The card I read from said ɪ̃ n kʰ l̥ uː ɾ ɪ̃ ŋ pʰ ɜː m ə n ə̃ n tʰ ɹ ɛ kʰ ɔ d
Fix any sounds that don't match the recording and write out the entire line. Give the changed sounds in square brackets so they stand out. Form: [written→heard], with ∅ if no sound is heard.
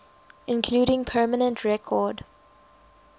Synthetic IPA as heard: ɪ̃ n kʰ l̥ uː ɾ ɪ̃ ŋ pʰ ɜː m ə n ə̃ n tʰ ɹ ɛ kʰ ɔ d